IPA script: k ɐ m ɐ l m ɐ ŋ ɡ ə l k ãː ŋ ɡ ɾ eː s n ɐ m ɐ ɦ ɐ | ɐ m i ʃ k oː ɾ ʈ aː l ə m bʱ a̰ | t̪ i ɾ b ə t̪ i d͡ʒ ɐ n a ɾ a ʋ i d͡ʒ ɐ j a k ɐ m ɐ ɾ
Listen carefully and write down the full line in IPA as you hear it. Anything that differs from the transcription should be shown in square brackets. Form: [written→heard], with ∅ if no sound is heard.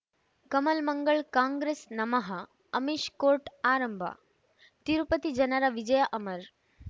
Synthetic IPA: k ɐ m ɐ l m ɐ ŋ ɡ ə [l→ɭ] k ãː ŋ ɡ ɾ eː s n ɐ m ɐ ɦ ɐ | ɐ m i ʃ k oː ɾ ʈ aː [l→ɾ] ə m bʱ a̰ | t̪ i ɾ [b→p] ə t̪ i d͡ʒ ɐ n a ɾ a ʋ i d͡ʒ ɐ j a [k→ʔ] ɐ m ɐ ɾ

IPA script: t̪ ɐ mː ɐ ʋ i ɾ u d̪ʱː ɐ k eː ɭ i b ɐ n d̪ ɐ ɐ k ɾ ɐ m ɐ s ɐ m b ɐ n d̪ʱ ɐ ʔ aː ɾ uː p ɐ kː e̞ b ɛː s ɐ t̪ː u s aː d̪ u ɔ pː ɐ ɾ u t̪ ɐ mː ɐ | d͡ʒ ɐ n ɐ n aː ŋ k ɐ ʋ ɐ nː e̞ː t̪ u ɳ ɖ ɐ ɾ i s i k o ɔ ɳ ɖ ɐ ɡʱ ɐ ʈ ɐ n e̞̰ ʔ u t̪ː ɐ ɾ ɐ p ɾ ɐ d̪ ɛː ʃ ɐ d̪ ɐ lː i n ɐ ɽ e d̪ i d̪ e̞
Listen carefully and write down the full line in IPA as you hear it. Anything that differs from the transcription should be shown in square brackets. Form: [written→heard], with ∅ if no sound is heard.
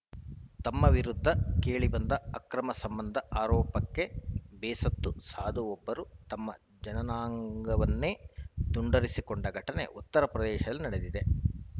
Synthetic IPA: t̪ ɐ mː ɐ ʋ i ɾ u d̪ʱː ɐ k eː ɭ i b ɐ n d̪ ɐ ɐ k ɾ ɐ m ɐ s ɐ m b ɐ n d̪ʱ ɐ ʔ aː ɾ [uː→ɔː] p ɐ kː e̞ b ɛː s ɐ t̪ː u s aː d̪ u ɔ [pː→bː] ɐ ɾ u t̪ ɐ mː ɐ | d͡ʒ ɐ n ɐ n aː ŋ [k→ɡ] ɐ ʋ ɐ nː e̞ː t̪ u ɳ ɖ ɐ ɾ i s i k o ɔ ɳ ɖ ɐ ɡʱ ɐ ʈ ɐ n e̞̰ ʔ u t̪ː ɐ ɾ ɐ p ɾ ɐ d̪ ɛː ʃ ɐ d̪ ɐ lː i n ɐ ɽ e d̪ i d̪ e̞

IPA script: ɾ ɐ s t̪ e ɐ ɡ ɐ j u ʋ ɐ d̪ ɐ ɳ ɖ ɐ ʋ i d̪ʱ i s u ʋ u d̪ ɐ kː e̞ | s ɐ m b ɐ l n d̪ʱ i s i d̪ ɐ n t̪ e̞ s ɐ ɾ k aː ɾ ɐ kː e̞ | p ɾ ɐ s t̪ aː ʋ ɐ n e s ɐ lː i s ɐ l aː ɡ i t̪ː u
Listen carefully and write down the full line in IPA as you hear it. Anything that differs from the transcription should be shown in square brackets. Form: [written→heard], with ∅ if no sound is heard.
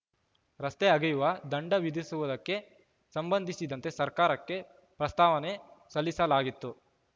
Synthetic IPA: ɾ ɐ s t̪ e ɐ ɡ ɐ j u ʋ ɐ d̪ ɐ ɳ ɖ ɐ ʋ i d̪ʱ i s u ʋ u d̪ ɐ kː e̞ | s ɐ m b ɐ [l→∅] n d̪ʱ i s i d̪ ɐ n t̪ e̞ s ɐ ɾ k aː ɾ ɐ kː e̞ | p ɾ ɐ s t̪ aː ʋ ɐ n e s ɐ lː i s ɐ l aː ɡ i t̪ː u

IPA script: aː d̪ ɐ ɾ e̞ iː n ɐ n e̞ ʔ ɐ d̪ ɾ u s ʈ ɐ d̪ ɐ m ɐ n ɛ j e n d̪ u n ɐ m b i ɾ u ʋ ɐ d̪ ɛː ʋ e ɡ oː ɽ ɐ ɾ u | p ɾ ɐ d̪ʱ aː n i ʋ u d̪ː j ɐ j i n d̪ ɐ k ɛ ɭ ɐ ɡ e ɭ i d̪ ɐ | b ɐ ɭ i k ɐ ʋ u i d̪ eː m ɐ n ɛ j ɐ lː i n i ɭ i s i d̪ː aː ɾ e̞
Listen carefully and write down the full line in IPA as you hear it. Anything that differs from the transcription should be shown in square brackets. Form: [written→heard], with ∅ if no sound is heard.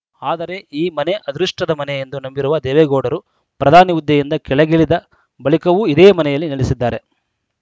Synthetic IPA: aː d̪ ɐ ɾ e̞ iː [n→m] ɐ n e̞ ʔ ɐ d̪ ɾ u [s→ʂ] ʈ ɐ d̪ ɐ m ɐ n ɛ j e n d̪ u n ɐ m b i ɾ u ʋ ɐ d̪ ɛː ʋ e ɡ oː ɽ ɐ ɾ u | p ɾ ɐ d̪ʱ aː n i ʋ u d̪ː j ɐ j i n d̪ ɐ k ɛ ɭ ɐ ɡ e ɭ i d̪ ɐ | b ɐ ɭ i k ɐ ʋ u i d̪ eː m ɐ n ɛ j ɐ lː i n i ɭ i s i d̪ː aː ɾ e̞

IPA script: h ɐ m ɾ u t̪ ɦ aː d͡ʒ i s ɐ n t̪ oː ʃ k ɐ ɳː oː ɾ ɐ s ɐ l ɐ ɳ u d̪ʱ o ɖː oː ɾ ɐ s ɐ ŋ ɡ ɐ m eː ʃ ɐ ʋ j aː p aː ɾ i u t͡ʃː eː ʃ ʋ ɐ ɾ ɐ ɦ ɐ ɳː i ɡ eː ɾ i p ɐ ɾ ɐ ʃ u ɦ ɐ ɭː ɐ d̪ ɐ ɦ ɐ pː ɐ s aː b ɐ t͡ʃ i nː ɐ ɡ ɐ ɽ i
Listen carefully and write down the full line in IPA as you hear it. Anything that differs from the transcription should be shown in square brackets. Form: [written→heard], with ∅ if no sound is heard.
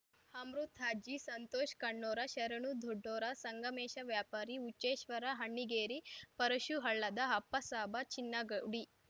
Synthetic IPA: h ɐ m ɾ u t̪ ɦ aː d͡ʒ i s ɐ n t̪ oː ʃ k ɐ ɳː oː ɾ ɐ [s→ʃ] ɐ [l→ɾ] ɐ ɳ u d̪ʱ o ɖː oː ɾ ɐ s ɐ ŋ ɡ ɐ m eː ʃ ɐ ʋ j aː p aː ɾ i u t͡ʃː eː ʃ ʋ ɐ ɾ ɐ ɦ ɐ ɳː i ɡ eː ɾ i p ɐ ɾ ɐ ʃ u ɦ ɐ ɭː ɐ d̪ ɐ ɦ ɐ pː ɐ s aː b ɐ t͡ʃ i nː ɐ ɡ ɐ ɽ i

